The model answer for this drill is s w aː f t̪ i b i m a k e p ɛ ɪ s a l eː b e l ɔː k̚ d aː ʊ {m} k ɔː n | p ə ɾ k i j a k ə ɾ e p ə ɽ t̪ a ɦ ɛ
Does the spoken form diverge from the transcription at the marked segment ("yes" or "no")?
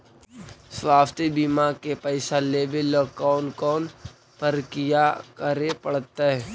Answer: yes